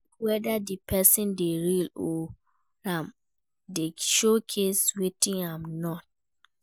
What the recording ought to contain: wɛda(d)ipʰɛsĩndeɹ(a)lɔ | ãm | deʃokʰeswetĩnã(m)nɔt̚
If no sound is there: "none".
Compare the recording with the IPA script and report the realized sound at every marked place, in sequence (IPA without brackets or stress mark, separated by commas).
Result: d, i, m